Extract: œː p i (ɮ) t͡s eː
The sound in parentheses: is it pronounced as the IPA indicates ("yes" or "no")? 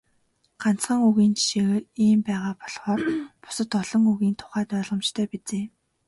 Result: no